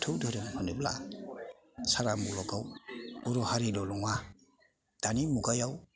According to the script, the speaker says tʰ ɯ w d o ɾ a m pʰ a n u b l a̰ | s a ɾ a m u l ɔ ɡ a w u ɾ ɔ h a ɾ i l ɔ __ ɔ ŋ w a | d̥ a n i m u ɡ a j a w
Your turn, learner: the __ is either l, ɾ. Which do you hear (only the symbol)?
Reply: l